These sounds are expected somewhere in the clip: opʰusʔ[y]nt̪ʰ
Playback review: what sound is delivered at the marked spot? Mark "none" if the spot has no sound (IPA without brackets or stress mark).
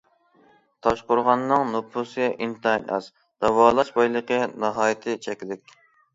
i